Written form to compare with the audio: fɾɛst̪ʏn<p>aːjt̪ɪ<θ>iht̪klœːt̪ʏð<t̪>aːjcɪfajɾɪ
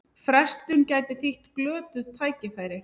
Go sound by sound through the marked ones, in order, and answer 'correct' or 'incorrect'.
incorrect, correct, incorrect

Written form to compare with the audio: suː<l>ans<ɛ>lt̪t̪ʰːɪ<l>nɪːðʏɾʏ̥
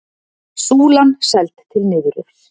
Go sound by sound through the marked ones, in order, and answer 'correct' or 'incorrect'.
correct, correct, correct

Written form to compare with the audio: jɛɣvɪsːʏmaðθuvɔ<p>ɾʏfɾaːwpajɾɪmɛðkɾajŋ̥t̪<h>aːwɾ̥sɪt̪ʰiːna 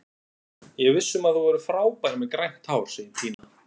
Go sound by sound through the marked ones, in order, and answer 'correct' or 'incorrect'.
incorrect, correct

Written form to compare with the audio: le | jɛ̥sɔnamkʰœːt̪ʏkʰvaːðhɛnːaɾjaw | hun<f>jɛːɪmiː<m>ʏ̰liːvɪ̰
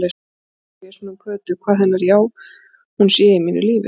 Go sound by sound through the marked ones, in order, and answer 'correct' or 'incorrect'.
incorrect, incorrect

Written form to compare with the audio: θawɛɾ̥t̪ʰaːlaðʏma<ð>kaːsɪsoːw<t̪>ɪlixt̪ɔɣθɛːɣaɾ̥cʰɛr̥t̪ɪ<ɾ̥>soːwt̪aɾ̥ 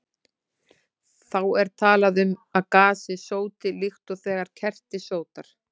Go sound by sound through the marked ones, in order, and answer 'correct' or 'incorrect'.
correct, correct, incorrect

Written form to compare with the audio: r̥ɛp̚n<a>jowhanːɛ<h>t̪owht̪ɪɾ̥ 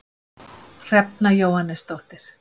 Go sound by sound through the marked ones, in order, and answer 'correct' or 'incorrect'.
correct, incorrect

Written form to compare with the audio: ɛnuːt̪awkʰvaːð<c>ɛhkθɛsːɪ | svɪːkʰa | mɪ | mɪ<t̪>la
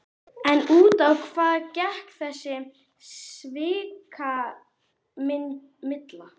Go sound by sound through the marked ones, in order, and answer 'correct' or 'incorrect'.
correct, correct

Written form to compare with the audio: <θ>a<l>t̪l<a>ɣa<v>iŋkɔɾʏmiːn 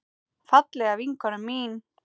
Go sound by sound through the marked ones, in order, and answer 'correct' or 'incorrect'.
incorrect, incorrect, incorrect, correct

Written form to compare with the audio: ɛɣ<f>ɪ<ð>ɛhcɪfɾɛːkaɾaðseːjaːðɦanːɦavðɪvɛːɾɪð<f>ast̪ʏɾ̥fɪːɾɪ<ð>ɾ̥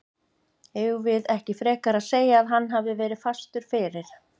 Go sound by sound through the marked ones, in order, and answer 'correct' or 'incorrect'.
incorrect, correct, correct, incorrect

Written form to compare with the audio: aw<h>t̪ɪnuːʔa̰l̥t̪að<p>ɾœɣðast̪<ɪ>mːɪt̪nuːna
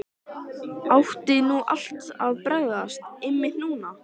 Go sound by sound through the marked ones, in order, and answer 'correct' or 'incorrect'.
correct, correct, correct

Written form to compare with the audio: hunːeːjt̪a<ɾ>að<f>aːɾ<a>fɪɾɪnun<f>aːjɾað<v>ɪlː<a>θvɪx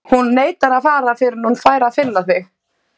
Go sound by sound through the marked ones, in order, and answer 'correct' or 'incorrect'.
correct, correct, correct, correct, incorrect, correct

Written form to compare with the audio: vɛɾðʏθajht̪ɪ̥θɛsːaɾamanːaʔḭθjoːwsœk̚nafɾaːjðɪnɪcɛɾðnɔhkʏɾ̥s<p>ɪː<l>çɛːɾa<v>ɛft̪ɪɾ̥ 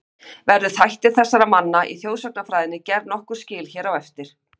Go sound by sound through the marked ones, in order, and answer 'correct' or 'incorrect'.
incorrect, correct, incorrect

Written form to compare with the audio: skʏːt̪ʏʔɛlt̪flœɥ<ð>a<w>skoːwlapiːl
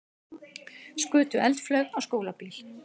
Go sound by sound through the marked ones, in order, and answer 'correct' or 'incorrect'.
incorrect, correct

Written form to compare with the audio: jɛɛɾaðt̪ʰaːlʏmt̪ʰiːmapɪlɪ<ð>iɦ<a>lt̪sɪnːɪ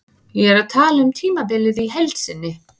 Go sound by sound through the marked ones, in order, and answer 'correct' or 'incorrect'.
correct, incorrect

